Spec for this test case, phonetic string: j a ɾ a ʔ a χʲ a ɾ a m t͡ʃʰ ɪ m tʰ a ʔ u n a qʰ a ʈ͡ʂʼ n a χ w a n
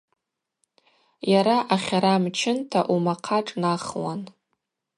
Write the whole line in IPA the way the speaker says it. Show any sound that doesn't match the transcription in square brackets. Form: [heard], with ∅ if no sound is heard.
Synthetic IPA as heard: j a ɾ a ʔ a χʲ a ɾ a m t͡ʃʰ ɪ [n] tʰ a ʔ u [m] a qʰ a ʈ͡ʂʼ n a χ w a n